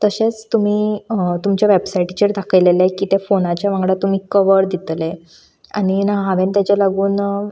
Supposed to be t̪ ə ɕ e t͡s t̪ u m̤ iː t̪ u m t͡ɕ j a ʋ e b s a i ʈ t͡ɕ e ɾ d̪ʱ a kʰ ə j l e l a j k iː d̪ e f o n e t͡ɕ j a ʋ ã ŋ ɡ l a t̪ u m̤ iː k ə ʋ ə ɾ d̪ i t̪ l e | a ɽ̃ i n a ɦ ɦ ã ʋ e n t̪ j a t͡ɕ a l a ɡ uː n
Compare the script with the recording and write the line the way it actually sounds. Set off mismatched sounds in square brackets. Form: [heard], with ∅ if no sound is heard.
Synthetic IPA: t̪ ə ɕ e t͡s t̪ u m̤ iː t̪ u m t͡ɕ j a ʋ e b s a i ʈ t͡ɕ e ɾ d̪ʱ a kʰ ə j l e l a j k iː [t̪] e f o n [a] t͡ɕ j a ʋ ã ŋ ɡ [ɽ] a t̪ u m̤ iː k ə ʋ ə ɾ d̪ i t̪ l e | a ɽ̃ i n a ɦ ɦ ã ʋ e n t̪ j a t͡ɕ a l a ɡ uː n